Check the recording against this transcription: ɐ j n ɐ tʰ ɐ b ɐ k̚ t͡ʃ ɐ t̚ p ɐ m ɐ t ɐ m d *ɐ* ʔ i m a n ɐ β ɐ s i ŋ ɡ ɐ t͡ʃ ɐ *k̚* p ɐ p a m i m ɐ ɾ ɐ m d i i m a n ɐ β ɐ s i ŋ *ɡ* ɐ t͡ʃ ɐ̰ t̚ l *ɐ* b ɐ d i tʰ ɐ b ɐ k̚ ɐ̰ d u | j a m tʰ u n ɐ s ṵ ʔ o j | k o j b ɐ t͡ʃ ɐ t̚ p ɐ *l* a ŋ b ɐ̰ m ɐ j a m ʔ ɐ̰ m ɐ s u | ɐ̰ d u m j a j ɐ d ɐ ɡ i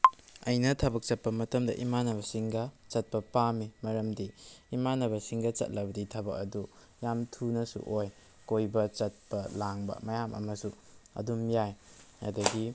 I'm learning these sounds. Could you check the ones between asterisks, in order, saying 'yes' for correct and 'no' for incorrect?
yes, no, yes, yes, yes

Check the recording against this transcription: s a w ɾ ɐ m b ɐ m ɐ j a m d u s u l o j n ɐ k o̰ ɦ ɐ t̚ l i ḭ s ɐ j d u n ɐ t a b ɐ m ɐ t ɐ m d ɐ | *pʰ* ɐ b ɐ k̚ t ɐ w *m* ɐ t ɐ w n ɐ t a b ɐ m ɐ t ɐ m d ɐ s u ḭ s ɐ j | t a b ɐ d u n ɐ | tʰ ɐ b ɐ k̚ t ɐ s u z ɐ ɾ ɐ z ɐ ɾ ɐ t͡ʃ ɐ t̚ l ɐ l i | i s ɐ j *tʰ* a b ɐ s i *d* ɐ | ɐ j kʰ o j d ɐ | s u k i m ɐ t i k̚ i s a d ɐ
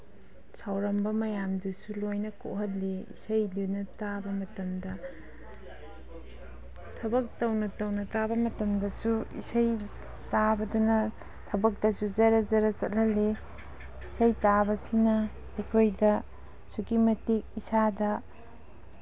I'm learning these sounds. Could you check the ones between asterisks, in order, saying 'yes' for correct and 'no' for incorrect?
no, no, no, no

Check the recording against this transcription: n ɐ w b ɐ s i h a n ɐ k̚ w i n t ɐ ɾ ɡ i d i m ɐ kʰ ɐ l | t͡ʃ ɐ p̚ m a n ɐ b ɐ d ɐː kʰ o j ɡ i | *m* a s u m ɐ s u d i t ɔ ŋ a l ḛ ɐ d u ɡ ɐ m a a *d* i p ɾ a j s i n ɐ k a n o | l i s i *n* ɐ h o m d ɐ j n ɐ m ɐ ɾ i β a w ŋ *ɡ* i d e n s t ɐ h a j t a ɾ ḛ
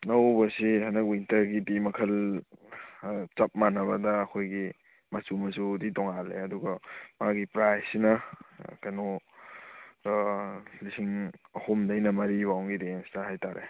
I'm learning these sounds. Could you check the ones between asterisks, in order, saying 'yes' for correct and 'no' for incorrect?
yes, no, no, yes

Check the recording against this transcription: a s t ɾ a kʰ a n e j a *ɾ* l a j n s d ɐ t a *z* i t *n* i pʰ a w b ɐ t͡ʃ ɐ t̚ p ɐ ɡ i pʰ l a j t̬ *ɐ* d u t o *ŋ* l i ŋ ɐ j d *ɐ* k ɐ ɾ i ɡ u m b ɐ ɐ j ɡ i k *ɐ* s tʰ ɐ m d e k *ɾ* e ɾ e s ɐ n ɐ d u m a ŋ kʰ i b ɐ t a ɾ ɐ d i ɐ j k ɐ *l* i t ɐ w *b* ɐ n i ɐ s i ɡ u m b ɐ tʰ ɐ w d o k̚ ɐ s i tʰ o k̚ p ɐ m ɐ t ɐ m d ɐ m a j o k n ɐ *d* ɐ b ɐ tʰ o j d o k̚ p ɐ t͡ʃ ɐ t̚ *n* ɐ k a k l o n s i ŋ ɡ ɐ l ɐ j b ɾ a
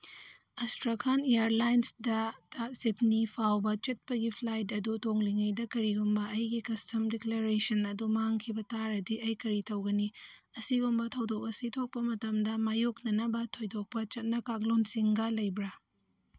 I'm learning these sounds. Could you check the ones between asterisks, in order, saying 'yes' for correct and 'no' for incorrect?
yes, no, yes, yes, yes, yes, yes, no, no, no, no, yes

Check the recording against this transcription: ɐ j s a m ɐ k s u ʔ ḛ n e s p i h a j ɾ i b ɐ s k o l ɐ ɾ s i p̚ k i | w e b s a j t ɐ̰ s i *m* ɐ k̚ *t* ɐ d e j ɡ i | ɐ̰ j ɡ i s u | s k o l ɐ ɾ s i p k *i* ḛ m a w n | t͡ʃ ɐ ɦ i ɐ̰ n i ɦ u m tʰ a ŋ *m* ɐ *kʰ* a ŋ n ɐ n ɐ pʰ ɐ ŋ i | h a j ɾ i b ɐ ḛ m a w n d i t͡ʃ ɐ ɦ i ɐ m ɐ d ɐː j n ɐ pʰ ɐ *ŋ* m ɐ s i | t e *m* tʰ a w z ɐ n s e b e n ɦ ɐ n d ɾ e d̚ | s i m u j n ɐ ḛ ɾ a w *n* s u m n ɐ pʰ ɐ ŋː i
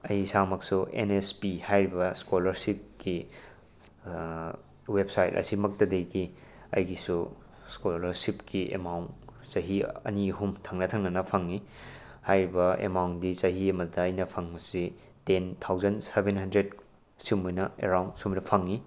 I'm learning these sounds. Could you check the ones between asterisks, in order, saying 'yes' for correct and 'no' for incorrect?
yes, yes, yes, no, no, yes, no, yes

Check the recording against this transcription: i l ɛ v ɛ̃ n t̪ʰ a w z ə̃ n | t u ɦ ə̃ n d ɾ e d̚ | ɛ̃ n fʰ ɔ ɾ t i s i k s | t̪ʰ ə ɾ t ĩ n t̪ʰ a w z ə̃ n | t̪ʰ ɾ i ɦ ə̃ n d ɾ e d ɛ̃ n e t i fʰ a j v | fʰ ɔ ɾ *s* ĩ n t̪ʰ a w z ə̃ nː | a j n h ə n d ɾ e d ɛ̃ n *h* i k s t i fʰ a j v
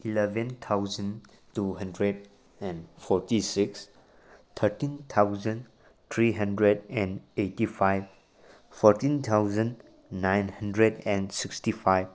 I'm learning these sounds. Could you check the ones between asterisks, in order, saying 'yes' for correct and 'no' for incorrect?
no, no

